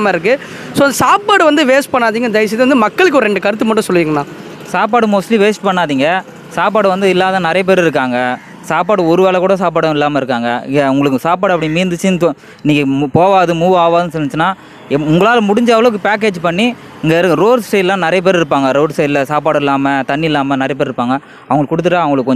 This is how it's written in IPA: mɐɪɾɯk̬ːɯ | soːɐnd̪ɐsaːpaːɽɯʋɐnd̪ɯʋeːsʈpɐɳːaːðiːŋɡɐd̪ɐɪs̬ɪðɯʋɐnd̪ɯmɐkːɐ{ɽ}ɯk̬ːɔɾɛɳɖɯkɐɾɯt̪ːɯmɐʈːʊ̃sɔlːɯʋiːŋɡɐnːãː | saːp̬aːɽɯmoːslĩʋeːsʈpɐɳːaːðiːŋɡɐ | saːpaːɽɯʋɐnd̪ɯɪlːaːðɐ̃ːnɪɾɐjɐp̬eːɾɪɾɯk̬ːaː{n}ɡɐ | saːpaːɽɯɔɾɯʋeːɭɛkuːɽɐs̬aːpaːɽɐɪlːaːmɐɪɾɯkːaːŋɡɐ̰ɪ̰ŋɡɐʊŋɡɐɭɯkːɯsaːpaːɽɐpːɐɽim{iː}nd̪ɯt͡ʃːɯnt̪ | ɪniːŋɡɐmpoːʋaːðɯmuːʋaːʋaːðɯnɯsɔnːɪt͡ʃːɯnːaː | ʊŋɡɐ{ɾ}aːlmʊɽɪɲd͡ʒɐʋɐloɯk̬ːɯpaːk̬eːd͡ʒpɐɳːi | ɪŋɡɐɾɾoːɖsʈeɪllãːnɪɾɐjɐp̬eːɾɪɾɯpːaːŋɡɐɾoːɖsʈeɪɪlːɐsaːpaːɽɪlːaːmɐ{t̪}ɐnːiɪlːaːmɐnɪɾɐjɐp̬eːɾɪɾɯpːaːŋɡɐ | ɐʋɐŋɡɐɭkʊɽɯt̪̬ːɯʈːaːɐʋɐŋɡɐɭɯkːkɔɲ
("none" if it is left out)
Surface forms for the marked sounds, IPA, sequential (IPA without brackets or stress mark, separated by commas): ɭ, ŋ, iː, ɭ, t̪